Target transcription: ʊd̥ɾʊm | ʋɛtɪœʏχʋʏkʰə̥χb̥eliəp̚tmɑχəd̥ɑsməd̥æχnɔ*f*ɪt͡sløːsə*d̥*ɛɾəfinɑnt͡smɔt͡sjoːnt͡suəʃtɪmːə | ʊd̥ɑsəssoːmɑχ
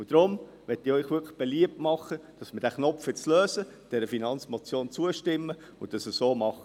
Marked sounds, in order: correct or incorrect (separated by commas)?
correct, correct